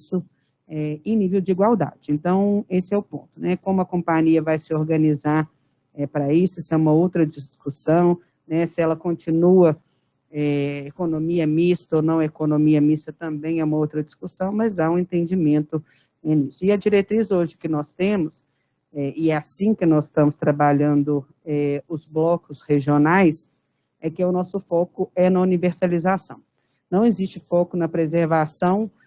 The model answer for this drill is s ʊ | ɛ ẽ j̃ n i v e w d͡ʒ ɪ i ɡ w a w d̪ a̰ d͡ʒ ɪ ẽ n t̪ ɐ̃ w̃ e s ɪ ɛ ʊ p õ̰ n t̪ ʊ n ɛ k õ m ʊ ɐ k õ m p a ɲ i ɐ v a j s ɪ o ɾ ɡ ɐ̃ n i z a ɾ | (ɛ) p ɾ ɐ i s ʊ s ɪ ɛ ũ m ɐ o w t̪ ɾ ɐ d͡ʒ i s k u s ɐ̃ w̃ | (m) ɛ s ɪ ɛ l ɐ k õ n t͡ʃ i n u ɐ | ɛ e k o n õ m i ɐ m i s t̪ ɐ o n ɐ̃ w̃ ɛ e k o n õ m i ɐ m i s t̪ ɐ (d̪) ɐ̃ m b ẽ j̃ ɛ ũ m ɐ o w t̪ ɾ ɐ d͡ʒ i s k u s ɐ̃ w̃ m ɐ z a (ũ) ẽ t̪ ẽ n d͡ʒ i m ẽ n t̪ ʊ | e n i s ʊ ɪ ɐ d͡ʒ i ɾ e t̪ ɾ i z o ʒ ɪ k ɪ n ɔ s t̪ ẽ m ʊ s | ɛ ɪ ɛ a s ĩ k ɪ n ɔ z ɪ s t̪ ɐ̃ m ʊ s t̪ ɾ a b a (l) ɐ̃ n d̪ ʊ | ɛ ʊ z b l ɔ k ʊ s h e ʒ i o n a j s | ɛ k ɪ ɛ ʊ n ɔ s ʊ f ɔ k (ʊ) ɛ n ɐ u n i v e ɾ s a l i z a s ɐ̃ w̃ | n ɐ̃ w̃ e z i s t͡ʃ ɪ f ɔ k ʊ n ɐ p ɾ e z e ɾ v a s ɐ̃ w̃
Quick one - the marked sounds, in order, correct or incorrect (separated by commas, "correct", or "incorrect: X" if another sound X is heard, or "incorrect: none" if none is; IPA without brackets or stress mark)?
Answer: correct, incorrect: n, incorrect: t̪, correct, incorrect: ʎ, correct